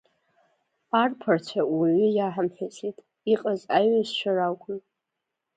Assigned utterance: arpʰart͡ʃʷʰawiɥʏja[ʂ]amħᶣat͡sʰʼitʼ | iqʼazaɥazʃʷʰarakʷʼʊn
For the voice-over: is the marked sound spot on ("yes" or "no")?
no